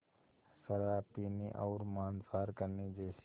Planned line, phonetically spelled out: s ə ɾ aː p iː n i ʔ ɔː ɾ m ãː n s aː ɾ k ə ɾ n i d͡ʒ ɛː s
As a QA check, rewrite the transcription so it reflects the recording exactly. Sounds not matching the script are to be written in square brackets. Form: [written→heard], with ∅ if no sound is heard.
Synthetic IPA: s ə ɾ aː p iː n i ʔ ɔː ɾ m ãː n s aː ɾ k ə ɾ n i d͡ʒ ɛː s

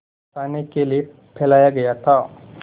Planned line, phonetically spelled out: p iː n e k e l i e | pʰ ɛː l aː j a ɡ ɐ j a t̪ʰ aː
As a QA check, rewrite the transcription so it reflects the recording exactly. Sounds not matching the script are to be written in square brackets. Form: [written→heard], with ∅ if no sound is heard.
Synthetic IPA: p [iː→aː] n e k e l i e | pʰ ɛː l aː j a ɡ ɐ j a t̪ʰ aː

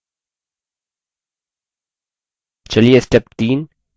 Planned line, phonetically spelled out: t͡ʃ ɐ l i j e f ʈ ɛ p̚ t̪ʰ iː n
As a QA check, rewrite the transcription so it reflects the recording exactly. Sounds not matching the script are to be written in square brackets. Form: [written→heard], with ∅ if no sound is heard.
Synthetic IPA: t͡ʃ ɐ l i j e [f→s] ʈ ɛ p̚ [t̪ʰ→t̪] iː n

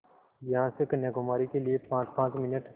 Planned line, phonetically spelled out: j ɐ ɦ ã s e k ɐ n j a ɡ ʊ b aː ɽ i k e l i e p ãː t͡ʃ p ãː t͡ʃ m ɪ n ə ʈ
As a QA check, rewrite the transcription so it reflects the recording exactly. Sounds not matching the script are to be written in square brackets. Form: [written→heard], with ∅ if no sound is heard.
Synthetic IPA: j ɐ ɦ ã s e k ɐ n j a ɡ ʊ [b→m] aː [ɽ→ɾ] i k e l i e p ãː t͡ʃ p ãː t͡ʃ m ɪ n ə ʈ

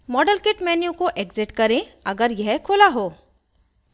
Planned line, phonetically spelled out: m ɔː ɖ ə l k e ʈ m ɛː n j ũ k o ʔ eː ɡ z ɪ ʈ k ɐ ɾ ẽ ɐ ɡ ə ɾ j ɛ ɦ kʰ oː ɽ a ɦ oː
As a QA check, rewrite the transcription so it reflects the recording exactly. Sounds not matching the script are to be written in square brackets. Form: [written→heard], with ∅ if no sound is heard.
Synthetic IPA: m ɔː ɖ ə l k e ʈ m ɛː n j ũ k o ʔ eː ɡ z ɪ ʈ k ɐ ɾ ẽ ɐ ɡ ə ɾ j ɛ ɦ kʰ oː [ɽ→l] a ɦ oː

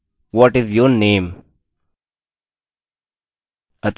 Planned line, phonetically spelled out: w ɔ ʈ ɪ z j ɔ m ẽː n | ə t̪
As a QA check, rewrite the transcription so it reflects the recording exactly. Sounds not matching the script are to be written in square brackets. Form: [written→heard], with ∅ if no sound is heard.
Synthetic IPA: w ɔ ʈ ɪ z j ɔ [m→n] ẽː [n→m] | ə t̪

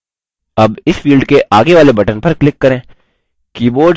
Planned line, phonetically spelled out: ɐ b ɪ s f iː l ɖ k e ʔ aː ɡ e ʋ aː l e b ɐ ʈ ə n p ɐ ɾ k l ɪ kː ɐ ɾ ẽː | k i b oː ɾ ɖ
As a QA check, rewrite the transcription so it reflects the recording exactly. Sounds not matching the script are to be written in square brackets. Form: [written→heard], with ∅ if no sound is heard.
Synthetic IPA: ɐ b ɪ s f iː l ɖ k e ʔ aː ɡ e ʋ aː l e b ɐ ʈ ə n p ɐ ɾ k l ɪ kː ɐ ɾ ẽː | k [i→iː] b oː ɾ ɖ

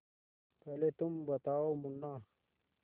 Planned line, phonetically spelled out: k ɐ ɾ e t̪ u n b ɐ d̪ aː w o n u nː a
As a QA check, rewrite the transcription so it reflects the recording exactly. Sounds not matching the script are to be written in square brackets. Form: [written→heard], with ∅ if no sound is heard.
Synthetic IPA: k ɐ [ɾ→l] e t̪ u [n→m] b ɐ [d̪→t̪] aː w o [n→m] u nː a

